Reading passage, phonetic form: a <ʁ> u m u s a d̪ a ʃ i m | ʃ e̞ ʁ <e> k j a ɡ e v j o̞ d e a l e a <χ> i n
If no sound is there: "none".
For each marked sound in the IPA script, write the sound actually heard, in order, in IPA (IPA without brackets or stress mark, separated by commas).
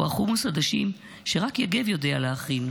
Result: χ, a, χ